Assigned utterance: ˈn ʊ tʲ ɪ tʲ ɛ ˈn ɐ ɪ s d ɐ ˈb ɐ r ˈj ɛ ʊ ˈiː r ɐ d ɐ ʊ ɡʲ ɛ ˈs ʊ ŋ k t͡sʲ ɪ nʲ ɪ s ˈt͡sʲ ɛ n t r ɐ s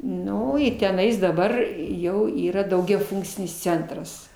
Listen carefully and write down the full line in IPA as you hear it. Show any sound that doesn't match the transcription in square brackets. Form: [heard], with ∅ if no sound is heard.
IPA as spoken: ˈn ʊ [∅] ɪ tʲ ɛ ˈn ɐ ɪ s d ɐ ˈb ɐ r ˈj ɛ ʊ ˈiː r ɐ d ɐ ʊ ɡʲ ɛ [ˈf] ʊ ŋ k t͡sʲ ɪ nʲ ɪ s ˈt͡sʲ ɛ n t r ɐ s